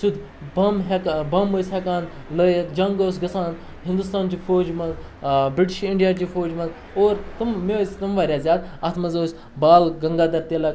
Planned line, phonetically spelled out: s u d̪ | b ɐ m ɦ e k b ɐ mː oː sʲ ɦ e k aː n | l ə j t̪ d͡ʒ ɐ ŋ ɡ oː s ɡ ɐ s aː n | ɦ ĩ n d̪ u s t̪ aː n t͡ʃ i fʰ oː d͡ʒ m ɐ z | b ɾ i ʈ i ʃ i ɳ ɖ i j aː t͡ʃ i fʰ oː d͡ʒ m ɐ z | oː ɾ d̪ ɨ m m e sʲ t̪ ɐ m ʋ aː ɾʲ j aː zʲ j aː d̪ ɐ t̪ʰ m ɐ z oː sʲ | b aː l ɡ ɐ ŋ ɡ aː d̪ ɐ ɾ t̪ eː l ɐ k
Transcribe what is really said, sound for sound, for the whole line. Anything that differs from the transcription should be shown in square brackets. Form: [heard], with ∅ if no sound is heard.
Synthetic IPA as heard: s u d̪ | b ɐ m ɦ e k b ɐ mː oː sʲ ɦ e k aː n | l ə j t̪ d͡ʒ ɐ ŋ ɡ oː s ɡ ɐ s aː n | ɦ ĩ n d̪ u s t̪ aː n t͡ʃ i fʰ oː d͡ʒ m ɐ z | b ɾ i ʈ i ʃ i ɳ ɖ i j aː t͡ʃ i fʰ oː d͡ʒ m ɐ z | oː ɾ [t̪] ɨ m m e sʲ t̪ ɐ m ʋ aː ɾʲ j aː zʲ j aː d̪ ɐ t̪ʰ m ɐ z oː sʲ | b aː l ɡ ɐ ŋ ɡ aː d̪ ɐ ɾ t̪ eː l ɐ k